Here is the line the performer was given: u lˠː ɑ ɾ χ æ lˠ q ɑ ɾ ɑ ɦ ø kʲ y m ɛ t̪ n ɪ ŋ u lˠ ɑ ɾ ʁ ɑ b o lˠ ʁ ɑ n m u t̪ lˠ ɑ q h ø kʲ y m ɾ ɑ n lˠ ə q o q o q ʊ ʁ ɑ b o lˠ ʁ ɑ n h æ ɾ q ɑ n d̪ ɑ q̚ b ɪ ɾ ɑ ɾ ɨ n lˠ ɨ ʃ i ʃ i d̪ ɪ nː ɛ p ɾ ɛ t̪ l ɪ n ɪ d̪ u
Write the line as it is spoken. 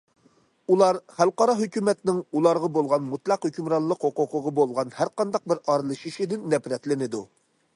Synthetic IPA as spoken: u lˠ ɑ ɾ χ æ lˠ q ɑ ɾ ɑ ɦ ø kʲ y m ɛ t̪ n ɪ ŋ u lˠ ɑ ɾ ʁ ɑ b o lˠ ʁ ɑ n m u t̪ lˠ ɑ q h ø kʲ y m ɾ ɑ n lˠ ə q o q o q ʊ ʁ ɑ b o lˠ ʁ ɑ n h æ ɾ q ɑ n d̪ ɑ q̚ b ɪ ɾ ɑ ɾ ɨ lˠ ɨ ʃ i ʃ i d̪ ɪ nː ɛ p ɾ ɛ t̪ l ɪ n ɪ d̪ u

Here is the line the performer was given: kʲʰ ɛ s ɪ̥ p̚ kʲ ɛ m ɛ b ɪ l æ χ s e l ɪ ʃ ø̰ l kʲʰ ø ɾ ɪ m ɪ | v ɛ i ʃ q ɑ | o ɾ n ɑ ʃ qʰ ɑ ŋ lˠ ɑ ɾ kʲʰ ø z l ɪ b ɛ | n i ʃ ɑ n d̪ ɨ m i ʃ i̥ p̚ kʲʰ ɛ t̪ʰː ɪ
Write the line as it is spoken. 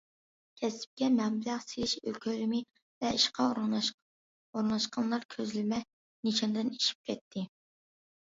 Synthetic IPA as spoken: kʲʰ ɛ s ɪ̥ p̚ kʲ ɛ m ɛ b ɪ l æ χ s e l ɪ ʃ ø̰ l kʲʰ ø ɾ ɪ m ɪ | v ɛ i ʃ q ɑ | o ɾ n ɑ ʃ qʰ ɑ n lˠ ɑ ɾ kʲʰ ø z l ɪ m ɛ | n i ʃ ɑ n d̪ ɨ n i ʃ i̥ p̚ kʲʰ ɛ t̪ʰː ɪ

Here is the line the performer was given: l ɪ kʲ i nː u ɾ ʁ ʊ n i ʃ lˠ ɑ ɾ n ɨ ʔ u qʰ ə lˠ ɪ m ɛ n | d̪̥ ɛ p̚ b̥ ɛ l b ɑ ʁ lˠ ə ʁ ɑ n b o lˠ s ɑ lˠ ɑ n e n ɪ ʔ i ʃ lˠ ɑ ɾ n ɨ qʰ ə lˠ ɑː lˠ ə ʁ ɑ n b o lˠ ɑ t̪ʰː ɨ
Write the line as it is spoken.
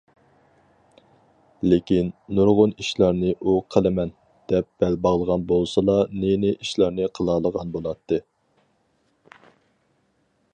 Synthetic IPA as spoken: l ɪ kʲ i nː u ɾ ʁ ʊ n i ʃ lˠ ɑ ɾ n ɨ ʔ u qʰ ə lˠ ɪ m ɛ n | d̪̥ ɛ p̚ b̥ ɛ l b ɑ ʁ lˠ ə ʁ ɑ n b o lˠ s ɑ lˠ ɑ n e n ɪ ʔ i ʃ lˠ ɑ ɾ n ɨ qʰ ə lˠ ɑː lˠ ə ʁ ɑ n b o lˠ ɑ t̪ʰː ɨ

